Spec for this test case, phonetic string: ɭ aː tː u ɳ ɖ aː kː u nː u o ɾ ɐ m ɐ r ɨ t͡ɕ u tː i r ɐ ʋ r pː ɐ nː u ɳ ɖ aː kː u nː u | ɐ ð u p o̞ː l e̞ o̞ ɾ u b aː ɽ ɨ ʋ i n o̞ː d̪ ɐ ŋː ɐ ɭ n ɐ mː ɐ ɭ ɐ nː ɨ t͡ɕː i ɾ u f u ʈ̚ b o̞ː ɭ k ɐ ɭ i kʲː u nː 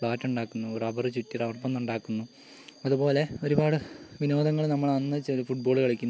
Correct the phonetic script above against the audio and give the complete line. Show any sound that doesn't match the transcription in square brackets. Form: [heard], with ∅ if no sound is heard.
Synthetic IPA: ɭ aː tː u ɳ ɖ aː kː u nː u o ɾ ɐ [b] ɐ r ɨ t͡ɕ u tː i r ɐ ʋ r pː ɐ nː u ɳ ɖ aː kː u nː u | ɐ ð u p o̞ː l e̞ o̞ ɾ u b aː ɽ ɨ ʋ i n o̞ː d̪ ɐ ŋː ɐ ɭ n ɐ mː ɐ ɭ ɐ nː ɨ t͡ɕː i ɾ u f u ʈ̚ b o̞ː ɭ k ɐ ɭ i kʲː u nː